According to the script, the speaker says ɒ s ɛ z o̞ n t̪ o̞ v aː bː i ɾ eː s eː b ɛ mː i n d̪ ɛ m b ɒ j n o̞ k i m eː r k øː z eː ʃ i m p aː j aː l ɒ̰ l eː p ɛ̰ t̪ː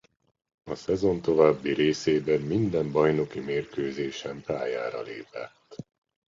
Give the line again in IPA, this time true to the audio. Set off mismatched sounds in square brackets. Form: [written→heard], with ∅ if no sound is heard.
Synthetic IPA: ɒ s ɛ z o̞ n t̪ o̞ v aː bː i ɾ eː s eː b ɛ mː i n d̪ ɛ m b ɒ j n o̞ k i m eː r k øː z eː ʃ [i→ɛ] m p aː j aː [l→ɾ] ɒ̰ l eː p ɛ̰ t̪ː

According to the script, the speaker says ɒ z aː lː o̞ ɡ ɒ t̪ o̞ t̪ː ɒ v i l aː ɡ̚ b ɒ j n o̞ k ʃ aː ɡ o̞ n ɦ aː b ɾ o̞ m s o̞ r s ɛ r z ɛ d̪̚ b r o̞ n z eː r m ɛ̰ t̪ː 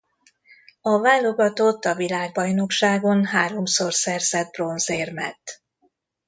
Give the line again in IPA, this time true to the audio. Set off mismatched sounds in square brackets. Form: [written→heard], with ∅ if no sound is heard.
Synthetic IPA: ɒ [z→v] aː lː o̞ ɡ ɒ t̪ o̞ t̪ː ɒ v i l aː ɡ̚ b ɒ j n o̞ k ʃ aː ɡ o̞ n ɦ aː [b→∅] ɾ o̞ m s o̞ r s ɛ r z ɛ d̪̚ b r o̞ n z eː r m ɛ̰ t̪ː

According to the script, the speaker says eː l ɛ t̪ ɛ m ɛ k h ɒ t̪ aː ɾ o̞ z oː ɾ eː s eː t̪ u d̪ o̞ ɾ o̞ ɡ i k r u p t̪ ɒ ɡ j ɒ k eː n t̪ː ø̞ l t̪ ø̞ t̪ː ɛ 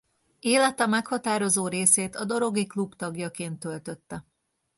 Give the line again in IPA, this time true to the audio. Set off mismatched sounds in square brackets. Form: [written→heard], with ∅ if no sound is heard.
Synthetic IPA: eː l ɛ t̪ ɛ m ɛ k h ɒ t̪ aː ɾ o̞ z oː ɾ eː s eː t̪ [u→ɒ] d̪ o̞ ɾ o̞ ɡ i k [r→l] u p t̪ ɒ ɡ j ɒ k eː n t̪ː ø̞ l t̪ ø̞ t̪ː ɛ

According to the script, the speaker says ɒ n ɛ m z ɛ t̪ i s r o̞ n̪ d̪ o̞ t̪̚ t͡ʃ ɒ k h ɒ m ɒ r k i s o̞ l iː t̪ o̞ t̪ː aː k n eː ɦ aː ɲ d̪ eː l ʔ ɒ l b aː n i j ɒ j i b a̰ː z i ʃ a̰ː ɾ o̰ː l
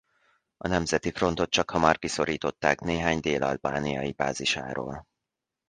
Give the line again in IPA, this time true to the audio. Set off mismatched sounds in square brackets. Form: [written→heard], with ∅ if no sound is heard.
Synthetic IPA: ɒ n ɛ m z ɛ t̪ i [s→f] r o̞ n̪ [d̪→t̪] o̞ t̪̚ t͡ʃ ɒ k h ɒ m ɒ r k i s o̞ [l→ɾ] iː t̪ o̞ t̪ː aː k n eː ɦ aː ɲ d̪ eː l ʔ ɒ l b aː n i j ɒ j i b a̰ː z i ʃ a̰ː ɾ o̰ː l

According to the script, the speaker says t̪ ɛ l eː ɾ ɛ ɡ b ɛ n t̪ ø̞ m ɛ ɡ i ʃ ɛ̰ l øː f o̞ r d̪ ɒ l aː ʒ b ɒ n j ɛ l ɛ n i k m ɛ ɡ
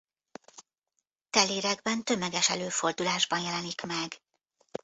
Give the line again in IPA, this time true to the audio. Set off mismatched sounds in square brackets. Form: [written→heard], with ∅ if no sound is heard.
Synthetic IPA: t̪ ɛ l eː ɾ ɛ ɡ b ɛ n t̪ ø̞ m ɛ ɡ [i→ɛ] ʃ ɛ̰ l øː f o̞ r d̪ [ɒ→u] l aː ʒ b ɒ n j ɛ l ɛ n i k m ɛ ɡ

